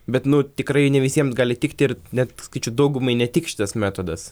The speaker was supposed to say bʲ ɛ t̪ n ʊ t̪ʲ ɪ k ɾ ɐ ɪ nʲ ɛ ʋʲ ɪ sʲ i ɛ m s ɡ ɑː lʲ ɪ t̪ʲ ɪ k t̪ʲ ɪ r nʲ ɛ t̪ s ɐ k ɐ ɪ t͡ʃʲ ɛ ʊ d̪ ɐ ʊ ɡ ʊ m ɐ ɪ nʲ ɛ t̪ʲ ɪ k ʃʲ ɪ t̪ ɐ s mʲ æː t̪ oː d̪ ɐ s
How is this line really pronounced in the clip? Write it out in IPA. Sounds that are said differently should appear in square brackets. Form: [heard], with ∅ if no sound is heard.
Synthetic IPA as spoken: bʲ ɛ t̪ n ʊ t̪ʲ ɪ k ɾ ɐ ɪ nʲ ɛ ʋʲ ɪ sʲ i ɛ m s ɡ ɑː lʲ ɪ t̪ʲ ɪ k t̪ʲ ɪ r nʲ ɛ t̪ s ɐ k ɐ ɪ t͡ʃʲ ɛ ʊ d̪ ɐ ʊ ɡ ʊ m ɐ ɪ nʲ ɛ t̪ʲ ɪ k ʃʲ ɪ t̪ ɐ s mʲ æː t̪ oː d̪ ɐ s